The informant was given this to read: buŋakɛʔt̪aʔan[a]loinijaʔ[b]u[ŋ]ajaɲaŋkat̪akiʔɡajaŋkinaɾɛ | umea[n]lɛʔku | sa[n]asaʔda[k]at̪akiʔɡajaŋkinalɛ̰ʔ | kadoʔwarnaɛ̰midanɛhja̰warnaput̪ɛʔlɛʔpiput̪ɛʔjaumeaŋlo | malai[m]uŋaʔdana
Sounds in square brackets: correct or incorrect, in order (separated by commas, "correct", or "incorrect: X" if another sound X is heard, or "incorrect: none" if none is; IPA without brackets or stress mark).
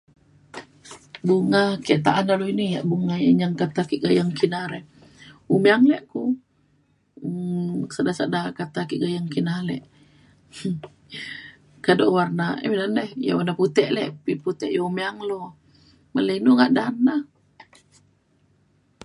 correct, correct, correct, incorrect: ŋ, incorrect: d, correct, incorrect: n